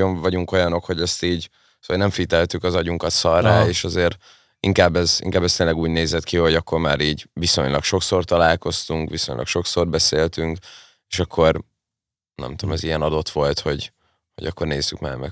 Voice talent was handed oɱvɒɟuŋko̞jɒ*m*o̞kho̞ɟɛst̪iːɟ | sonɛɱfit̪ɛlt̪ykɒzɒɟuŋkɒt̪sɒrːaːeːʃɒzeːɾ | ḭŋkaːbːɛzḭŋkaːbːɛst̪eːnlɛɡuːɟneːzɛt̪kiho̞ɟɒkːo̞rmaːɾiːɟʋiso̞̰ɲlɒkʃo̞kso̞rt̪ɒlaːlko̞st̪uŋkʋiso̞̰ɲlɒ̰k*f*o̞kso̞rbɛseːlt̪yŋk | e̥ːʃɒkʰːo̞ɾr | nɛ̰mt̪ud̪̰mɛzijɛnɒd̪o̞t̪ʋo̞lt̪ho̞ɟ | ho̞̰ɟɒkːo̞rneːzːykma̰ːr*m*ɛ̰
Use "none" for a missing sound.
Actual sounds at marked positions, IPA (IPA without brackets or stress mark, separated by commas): n, ʃ, m